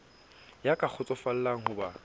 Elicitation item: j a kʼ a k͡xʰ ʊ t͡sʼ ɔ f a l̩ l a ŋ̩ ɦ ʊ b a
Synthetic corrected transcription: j a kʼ a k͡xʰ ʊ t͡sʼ ɔ f a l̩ l a ŋ̩ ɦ ʊ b a